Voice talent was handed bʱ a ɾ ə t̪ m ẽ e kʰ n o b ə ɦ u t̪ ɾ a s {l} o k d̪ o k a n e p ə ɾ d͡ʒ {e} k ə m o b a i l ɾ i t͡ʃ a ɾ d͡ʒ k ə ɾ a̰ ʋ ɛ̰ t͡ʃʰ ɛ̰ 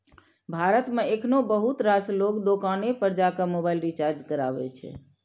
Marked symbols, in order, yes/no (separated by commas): yes, no